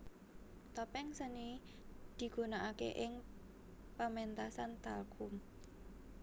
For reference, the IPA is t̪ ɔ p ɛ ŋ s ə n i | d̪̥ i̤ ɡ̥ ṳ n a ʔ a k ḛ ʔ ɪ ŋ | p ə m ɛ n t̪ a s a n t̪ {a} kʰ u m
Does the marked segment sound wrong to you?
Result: no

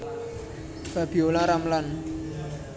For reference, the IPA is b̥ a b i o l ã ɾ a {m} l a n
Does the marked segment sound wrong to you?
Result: no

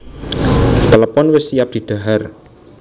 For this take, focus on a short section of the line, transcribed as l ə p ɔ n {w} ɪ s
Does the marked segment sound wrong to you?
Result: no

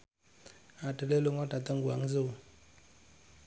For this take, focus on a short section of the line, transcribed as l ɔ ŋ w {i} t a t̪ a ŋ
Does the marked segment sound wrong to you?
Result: yes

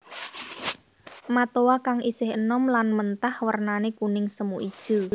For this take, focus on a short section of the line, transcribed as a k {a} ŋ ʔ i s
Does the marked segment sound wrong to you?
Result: no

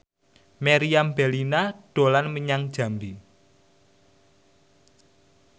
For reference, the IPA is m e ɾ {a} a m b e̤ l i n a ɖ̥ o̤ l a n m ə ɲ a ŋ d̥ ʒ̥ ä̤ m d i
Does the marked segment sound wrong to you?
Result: yes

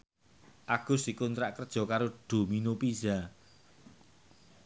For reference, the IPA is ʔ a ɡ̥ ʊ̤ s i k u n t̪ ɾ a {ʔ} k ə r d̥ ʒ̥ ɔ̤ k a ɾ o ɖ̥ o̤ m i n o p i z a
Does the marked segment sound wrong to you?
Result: no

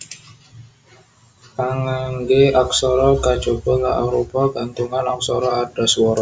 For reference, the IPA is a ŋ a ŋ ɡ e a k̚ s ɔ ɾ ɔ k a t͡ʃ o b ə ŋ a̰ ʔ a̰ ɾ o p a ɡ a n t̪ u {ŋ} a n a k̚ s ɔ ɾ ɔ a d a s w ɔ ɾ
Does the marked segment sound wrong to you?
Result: no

